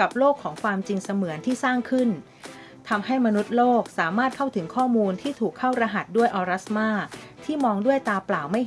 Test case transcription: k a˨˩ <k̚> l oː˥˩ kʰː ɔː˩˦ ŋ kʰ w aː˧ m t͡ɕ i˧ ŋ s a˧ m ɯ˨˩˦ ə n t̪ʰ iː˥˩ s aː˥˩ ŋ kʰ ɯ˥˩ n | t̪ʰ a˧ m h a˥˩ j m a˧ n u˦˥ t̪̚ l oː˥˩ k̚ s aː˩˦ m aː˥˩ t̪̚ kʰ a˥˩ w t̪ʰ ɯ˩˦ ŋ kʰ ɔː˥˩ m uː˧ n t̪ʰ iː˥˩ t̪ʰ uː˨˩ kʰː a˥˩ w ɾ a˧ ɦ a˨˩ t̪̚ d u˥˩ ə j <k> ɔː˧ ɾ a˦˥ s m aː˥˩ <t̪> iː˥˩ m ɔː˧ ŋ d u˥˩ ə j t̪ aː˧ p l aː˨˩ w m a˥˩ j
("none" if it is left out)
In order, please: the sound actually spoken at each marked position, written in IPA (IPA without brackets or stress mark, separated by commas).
p̚, ʔ, t̪ʰ